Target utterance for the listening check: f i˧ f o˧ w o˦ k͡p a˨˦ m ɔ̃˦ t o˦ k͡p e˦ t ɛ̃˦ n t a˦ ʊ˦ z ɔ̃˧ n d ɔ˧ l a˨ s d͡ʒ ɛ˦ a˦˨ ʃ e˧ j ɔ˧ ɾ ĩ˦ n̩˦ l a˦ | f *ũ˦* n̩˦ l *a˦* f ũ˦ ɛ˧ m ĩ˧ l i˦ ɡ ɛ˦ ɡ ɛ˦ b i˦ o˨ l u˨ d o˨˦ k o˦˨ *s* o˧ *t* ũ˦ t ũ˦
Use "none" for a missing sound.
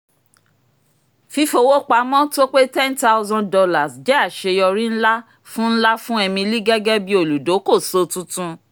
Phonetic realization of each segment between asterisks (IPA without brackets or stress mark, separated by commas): ũ˦, a˦, s, t